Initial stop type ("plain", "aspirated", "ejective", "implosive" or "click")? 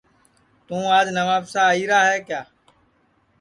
plain